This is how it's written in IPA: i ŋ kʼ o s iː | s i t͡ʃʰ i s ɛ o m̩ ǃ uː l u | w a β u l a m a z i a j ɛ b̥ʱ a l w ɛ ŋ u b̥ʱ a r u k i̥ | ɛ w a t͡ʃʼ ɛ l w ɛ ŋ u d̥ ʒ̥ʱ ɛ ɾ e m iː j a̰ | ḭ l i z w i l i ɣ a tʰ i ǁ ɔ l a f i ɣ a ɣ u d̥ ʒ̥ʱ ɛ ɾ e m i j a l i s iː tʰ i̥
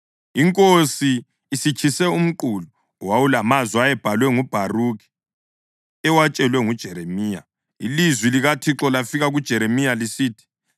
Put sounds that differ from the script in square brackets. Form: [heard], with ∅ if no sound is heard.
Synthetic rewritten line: i ŋ kʼ o s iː | s i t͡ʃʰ i s ɛ [u] m̩ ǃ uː l u | w a [w] u l a m a z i a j ɛ b̥ʱ a l w ɛ ŋ u b̥ʱ a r u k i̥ | ɛ w a t͡ʃʼ ɛ l w ɛ ŋ u d̥ ʒ̥ʱ ɛ ɾ e m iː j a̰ | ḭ l i z w i l i ɣ a tʰ i ǁ ɔ l a f i ɣ a ɣ u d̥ ʒ̥ʱ ɛ ɾ e m i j a l i s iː tʰ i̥